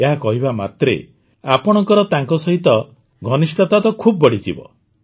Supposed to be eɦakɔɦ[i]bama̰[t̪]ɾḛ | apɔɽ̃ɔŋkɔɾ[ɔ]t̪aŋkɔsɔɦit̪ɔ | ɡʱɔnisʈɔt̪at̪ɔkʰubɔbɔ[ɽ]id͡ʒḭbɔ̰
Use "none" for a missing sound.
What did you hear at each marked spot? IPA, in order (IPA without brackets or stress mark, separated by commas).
i, t̪, ɔ, ɽ